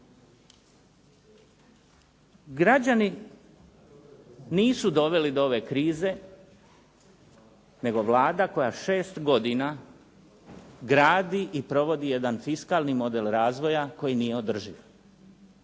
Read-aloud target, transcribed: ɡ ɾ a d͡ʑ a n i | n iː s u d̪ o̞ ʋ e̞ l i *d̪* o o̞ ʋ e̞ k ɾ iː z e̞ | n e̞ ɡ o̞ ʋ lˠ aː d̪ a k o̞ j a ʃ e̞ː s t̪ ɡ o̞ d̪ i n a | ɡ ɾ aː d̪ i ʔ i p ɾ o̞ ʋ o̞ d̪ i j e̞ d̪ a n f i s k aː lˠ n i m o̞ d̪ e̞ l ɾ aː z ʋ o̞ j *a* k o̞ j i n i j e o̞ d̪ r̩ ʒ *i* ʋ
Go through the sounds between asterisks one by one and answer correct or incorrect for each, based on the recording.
correct, correct, correct

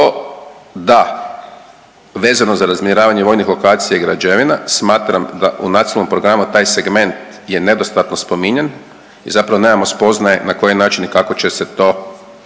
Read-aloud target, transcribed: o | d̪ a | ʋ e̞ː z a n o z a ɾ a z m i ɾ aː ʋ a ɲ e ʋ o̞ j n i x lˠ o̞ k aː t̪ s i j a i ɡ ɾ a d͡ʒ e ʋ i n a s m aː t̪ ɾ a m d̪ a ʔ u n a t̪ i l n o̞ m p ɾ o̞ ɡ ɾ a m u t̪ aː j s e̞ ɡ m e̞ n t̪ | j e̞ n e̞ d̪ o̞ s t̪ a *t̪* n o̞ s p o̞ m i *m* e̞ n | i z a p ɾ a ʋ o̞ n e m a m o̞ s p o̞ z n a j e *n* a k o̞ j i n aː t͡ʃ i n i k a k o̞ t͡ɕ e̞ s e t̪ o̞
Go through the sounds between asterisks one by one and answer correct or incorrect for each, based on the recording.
correct, incorrect, correct

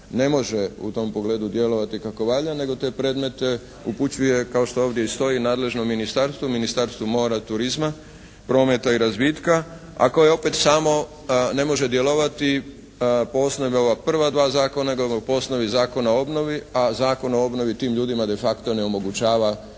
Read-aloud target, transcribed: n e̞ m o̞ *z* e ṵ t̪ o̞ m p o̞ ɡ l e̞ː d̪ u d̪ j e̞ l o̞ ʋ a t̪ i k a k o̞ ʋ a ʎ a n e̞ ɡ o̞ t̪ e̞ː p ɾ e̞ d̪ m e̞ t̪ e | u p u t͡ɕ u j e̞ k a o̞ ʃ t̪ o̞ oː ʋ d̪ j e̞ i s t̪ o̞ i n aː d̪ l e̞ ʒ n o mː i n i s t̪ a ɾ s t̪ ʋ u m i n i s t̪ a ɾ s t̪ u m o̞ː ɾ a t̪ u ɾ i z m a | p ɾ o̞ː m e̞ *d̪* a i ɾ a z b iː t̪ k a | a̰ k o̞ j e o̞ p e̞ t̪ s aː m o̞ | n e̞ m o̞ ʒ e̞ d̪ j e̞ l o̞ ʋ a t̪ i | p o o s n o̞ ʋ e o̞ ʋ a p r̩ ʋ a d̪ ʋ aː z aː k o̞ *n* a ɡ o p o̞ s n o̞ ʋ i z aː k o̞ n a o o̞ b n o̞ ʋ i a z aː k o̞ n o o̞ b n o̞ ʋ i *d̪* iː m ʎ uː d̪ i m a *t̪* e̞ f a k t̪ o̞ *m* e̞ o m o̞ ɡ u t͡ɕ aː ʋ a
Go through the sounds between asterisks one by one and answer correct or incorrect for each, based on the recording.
incorrect, incorrect, correct, incorrect, incorrect, incorrect

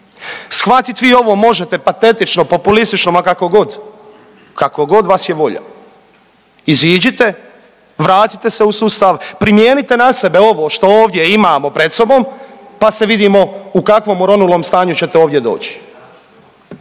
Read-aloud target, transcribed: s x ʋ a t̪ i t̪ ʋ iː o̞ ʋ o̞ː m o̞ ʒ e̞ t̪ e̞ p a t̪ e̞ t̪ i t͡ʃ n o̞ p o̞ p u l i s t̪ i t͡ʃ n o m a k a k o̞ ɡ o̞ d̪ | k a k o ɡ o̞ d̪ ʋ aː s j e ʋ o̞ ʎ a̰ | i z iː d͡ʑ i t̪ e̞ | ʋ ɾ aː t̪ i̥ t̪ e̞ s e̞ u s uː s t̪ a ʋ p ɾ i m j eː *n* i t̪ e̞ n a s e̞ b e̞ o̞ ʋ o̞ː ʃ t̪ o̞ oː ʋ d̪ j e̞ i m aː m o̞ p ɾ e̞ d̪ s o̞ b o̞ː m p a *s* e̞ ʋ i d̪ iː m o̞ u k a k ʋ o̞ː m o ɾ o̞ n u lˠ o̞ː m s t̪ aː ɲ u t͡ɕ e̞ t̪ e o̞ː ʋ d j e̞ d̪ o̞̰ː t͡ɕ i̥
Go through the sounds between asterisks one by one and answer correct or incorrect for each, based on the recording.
correct, correct

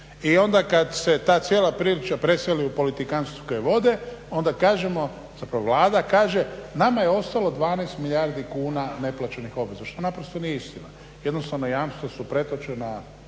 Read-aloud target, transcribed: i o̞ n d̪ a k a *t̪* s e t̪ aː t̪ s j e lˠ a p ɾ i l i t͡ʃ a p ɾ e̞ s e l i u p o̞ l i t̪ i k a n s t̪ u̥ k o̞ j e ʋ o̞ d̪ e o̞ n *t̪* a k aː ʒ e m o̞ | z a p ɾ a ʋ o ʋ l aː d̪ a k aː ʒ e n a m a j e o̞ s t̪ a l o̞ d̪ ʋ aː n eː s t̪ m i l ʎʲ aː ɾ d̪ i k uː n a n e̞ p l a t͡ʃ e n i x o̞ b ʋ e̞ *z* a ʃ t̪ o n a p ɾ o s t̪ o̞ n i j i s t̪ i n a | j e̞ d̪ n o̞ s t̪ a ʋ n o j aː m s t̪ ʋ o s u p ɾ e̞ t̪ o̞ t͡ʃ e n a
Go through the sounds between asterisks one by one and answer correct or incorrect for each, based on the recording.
incorrect, incorrect, correct

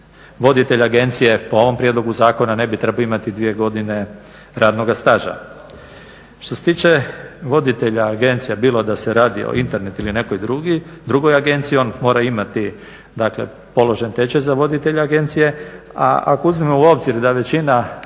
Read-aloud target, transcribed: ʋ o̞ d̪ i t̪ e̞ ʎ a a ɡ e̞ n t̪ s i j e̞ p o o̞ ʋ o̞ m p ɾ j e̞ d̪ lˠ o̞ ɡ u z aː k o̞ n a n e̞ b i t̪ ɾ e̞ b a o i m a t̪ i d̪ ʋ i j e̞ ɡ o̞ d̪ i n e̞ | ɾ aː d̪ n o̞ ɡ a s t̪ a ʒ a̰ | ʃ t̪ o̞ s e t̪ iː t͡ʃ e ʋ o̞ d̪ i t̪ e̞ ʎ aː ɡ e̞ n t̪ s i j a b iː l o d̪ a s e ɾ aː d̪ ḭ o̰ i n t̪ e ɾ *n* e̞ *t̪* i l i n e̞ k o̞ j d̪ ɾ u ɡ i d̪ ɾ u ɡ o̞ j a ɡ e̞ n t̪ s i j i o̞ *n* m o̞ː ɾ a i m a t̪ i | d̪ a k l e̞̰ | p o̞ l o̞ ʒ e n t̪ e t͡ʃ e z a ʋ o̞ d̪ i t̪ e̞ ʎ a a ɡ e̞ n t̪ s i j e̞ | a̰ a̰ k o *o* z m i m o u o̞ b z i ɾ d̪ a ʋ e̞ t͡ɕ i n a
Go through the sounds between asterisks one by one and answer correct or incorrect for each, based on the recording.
correct, correct, correct, incorrect

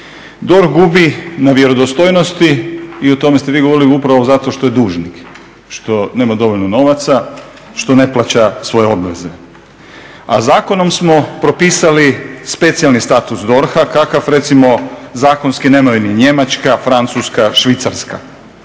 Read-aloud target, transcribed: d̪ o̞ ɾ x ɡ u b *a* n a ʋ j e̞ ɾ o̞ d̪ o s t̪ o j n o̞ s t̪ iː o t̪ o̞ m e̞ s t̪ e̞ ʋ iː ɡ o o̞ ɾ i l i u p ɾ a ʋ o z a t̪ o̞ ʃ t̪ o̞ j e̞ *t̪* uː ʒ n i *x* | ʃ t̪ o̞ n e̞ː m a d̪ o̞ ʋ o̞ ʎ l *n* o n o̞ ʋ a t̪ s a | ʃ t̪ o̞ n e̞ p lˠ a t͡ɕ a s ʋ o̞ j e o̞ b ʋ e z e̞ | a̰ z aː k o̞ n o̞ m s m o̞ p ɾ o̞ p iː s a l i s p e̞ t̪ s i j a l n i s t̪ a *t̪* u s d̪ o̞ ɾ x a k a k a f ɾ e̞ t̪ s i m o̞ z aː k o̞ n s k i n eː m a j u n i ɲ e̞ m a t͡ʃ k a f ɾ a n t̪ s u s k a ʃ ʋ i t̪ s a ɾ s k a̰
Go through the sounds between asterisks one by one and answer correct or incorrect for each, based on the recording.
incorrect, incorrect, incorrect, correct, correct

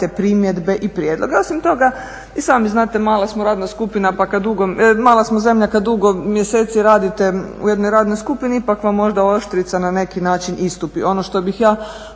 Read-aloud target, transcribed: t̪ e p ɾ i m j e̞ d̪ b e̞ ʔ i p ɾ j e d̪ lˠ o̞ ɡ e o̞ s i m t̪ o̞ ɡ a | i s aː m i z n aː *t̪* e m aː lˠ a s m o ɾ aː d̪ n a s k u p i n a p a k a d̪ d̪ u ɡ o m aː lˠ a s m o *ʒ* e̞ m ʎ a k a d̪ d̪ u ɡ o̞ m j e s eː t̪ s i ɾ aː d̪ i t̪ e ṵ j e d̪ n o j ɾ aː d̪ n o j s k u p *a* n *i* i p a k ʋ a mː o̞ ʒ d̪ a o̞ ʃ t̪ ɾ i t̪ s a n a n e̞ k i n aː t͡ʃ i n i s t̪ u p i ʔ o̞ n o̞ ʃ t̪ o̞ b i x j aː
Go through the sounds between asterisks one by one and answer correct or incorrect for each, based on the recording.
correct, incorrect, incorrect, correct

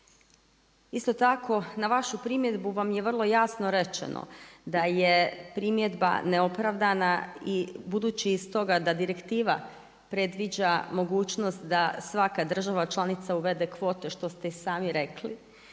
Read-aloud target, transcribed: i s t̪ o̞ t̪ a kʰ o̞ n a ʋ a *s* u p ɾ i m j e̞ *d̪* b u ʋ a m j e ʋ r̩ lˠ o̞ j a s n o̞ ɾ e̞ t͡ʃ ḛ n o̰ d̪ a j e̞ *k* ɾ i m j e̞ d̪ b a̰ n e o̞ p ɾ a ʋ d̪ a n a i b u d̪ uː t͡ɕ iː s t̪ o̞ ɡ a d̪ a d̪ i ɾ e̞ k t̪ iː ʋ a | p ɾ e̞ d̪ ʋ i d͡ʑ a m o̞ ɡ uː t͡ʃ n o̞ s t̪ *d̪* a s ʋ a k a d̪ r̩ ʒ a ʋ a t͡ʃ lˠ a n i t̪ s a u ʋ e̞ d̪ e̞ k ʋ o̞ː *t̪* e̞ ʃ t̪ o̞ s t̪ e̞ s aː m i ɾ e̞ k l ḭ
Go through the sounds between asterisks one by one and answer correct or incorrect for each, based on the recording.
incorrect, correct, incorrect, correct, correct

